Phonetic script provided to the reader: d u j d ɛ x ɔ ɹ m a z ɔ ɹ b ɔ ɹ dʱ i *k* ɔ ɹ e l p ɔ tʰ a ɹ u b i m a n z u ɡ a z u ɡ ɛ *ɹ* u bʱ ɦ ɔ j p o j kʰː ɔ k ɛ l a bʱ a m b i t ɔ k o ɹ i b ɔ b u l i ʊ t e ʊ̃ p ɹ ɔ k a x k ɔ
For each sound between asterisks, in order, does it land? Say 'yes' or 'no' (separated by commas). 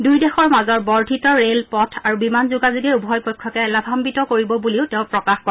no, yes